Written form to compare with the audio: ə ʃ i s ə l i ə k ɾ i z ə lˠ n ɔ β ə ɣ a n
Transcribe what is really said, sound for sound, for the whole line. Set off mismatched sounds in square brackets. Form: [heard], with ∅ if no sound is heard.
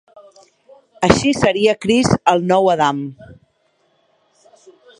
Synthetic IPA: ə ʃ i s ə [ɾ] i ə k ɾ i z ə lˠ n ɔ [w] ə [ð] a [m]